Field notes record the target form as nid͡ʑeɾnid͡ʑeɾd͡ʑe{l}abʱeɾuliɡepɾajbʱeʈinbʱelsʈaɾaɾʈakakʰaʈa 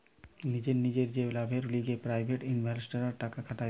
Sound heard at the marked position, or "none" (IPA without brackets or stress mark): l